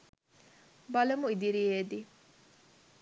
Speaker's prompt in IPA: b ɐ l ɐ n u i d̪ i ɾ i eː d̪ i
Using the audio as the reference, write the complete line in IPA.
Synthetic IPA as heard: b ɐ l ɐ m u i d̪ i ɾ i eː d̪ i